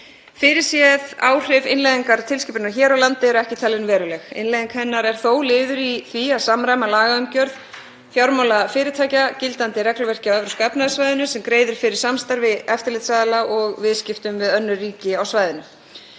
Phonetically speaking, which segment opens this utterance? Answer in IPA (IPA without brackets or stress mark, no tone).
f